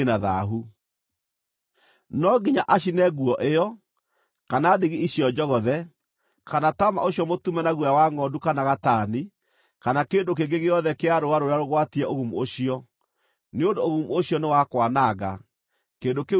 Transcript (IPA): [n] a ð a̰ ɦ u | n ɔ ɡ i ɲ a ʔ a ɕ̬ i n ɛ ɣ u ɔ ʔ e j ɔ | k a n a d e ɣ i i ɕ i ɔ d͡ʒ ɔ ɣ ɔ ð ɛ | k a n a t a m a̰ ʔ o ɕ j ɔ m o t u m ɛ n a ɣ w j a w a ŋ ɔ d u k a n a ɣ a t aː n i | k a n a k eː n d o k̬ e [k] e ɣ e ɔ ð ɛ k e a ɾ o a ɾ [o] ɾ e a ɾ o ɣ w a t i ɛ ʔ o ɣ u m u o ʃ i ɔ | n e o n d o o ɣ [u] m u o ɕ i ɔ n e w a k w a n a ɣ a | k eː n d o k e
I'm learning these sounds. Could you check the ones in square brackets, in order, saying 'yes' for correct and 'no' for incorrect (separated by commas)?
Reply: yes, no, yes, yes